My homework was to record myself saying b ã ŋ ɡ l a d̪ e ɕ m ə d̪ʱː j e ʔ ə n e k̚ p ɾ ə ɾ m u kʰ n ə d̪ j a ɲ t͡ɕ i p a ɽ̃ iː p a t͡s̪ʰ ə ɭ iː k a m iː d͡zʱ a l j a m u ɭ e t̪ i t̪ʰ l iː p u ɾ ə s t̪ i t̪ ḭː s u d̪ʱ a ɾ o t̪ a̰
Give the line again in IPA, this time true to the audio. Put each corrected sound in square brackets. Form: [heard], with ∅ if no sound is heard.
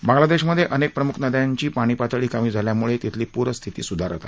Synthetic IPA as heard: b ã ŋ ɡ l a d̪ e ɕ m ə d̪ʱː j e ʔ ə n e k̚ p ɾ ə [∅] m u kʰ n ə d̪ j a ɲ t͡ɕ [iː] p a ɽ̃ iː p a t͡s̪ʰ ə ɭ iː k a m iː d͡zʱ a l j a m u ɭ e t̪ i t̪ʰ l iː p u ɾ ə s [t̪ʰ] i t̪ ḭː s u d̪ʱ a ɾ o t̪ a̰